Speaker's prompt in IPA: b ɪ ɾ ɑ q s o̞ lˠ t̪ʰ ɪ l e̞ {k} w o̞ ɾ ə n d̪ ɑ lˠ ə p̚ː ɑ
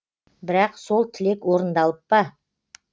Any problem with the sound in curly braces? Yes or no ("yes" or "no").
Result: no